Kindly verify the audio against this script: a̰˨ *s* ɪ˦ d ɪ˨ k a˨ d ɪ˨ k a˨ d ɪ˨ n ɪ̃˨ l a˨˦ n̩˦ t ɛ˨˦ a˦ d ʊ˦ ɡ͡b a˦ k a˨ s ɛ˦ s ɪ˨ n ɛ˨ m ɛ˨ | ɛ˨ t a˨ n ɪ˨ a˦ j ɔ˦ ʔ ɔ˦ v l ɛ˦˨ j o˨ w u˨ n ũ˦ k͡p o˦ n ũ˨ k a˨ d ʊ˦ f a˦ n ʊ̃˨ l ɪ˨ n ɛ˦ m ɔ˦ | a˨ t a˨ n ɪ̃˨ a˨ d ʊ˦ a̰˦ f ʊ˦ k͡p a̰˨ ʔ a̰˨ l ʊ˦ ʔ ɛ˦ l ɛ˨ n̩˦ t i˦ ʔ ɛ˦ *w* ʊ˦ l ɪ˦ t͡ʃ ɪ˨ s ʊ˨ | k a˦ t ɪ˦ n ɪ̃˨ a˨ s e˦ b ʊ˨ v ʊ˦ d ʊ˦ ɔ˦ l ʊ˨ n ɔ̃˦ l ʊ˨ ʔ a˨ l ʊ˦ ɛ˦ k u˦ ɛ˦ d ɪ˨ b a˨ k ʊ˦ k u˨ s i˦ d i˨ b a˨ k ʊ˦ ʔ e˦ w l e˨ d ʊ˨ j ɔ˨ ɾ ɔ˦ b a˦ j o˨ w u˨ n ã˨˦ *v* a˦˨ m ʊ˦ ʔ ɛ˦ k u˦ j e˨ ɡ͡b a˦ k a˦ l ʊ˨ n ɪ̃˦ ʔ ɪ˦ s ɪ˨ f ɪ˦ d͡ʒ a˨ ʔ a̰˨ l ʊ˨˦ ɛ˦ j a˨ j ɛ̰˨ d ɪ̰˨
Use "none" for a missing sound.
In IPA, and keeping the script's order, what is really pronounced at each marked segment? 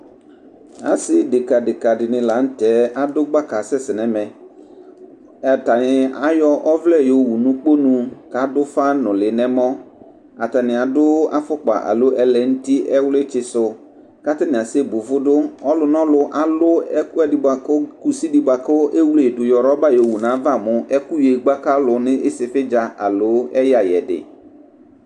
s, w, v

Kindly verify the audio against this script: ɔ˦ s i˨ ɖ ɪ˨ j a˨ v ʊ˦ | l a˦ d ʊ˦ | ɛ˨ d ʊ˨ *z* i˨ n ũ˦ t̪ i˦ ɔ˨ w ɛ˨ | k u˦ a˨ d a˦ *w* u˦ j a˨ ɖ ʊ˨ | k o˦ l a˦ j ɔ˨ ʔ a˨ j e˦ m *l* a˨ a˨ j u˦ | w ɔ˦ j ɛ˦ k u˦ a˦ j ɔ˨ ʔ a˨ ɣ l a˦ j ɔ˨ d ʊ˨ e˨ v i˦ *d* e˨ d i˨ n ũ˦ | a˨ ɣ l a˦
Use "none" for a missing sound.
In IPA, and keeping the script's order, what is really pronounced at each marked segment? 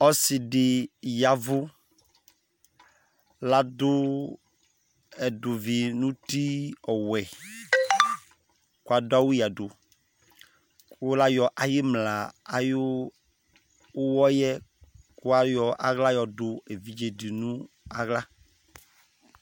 v, w, l, d͡ʒ

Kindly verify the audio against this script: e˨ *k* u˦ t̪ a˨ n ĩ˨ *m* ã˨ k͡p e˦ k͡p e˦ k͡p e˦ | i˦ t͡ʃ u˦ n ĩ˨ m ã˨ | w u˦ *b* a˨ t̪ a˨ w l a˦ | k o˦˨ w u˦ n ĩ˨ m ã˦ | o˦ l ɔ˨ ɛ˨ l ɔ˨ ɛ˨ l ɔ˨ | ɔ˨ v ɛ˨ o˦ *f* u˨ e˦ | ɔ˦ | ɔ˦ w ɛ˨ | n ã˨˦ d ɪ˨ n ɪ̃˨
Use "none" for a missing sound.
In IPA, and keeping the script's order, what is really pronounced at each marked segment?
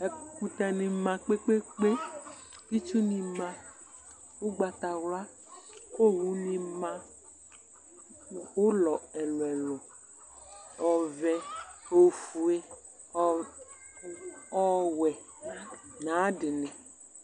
k, m, ɡ͡b, f

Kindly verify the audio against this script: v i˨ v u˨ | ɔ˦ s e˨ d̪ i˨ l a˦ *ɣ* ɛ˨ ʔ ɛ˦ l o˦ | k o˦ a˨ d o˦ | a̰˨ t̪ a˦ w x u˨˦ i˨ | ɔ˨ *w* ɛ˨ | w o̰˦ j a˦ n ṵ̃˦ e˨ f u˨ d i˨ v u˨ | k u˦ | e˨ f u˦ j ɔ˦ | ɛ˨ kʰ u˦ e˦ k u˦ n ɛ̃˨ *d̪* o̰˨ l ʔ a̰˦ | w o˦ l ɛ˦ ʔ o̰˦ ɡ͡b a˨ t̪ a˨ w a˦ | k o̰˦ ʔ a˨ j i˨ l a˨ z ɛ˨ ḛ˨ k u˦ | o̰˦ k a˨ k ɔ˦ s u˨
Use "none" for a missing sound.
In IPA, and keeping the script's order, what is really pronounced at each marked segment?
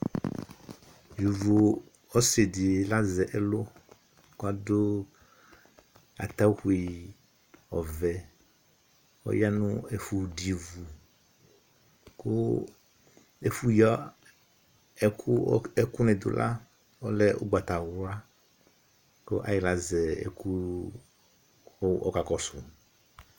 z, v, d̪

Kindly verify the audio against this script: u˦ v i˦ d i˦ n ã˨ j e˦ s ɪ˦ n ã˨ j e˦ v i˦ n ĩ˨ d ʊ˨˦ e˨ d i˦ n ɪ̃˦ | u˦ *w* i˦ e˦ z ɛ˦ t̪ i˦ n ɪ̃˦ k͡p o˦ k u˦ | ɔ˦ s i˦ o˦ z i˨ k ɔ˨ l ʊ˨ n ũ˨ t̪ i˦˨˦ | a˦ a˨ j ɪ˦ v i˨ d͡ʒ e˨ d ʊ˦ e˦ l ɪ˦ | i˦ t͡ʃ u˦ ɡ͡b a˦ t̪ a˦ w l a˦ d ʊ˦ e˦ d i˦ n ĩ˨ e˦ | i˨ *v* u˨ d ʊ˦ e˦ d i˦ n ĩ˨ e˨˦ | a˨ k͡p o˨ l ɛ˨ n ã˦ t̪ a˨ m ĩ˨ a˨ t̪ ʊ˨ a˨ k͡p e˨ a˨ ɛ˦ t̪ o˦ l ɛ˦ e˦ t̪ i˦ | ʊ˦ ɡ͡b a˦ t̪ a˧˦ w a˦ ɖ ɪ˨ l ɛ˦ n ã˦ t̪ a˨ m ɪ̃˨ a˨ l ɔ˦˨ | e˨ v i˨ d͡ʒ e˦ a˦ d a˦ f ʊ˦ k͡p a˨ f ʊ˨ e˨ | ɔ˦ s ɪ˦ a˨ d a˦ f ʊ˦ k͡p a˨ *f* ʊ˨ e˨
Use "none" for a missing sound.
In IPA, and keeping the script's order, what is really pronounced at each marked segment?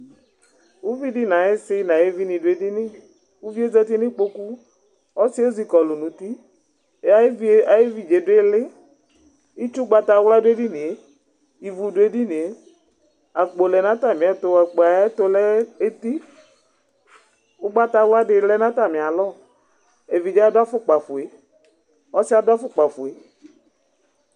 v, v, f

